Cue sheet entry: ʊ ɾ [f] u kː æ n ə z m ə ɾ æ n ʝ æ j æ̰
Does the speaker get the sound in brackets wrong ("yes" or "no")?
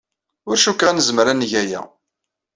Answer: yes